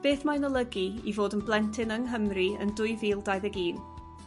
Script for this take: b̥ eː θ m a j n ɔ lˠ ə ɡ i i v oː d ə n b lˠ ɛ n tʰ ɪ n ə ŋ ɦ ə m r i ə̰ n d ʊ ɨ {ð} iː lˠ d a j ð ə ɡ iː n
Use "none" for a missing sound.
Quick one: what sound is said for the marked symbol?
v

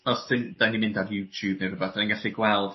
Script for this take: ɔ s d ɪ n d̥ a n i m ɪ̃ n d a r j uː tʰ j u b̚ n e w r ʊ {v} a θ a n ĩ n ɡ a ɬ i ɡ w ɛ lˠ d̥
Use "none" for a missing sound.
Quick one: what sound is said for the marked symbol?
b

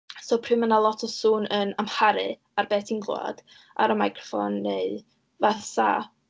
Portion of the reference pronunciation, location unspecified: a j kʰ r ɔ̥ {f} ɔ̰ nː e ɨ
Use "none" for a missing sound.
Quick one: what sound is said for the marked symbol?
f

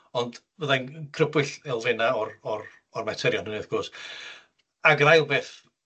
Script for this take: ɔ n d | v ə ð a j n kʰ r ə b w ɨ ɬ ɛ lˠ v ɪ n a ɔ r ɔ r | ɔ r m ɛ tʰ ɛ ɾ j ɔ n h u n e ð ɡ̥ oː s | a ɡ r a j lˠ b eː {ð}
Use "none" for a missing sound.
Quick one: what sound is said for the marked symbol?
θ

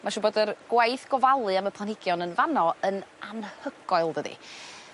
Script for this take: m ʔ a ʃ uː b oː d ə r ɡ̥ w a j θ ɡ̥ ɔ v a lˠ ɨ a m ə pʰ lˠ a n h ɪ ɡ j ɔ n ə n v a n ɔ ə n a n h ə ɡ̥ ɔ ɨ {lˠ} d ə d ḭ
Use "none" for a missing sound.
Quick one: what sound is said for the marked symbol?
lˠ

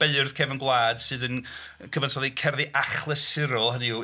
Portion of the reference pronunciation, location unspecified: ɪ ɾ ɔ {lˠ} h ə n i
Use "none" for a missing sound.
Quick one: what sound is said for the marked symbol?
lˠ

